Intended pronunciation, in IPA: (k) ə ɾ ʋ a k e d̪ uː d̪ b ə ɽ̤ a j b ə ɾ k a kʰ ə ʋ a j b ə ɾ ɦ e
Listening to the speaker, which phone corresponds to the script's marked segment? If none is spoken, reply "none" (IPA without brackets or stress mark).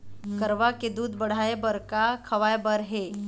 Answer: k